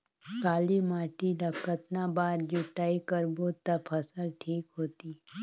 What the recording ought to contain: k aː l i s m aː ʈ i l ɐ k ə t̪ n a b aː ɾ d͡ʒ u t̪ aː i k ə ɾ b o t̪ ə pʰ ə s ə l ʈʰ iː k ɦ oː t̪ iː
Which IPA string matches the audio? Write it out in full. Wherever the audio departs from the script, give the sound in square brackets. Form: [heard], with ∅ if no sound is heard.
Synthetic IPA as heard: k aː l i [∅] m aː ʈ i l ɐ k ə t̪ n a b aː ɾ d͡ʒ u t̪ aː i k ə ɾ b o t̪ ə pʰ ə s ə l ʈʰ iː k ɦ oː t̪ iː